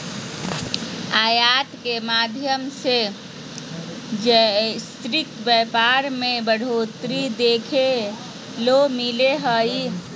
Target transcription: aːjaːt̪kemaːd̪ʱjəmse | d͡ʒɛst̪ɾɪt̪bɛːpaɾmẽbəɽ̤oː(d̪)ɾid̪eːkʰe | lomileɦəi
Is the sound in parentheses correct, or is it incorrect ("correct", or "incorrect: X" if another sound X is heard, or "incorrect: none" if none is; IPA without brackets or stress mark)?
incorrect: t̪